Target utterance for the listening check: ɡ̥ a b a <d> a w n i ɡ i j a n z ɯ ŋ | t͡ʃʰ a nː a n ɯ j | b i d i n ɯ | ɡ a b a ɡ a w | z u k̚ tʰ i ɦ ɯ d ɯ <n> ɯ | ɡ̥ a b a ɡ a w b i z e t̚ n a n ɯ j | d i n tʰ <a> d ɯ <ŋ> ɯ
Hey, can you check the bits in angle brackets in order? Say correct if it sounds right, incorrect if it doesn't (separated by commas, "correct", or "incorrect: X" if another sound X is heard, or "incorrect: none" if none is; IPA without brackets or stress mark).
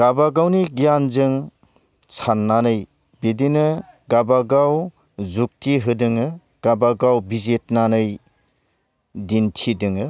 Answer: incorrect: ɡ, incorrect: ŋ, incorrect: i, correct